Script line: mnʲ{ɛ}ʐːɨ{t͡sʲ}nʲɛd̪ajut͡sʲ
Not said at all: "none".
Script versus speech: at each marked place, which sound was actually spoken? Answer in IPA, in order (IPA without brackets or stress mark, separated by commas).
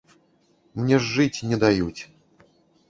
ɛ, t͡sʲ